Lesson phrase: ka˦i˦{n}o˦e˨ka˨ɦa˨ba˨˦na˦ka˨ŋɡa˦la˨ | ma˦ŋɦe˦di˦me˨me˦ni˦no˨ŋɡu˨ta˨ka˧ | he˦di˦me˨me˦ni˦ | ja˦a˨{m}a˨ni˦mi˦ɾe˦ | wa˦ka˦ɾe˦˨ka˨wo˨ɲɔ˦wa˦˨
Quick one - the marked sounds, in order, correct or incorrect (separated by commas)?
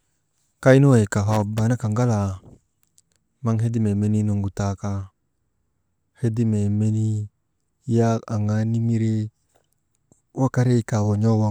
correct, incorrect